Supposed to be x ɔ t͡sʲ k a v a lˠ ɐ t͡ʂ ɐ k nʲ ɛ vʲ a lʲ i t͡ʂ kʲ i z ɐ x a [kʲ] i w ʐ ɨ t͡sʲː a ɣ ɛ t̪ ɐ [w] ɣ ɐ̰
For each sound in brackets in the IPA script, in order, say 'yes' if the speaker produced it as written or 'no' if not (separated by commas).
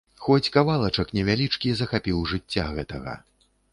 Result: no, no